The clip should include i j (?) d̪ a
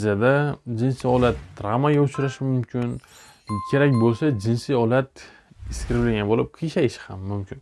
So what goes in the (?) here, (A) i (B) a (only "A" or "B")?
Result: B